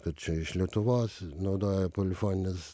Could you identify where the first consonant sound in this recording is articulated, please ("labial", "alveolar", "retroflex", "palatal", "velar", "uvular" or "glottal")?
velar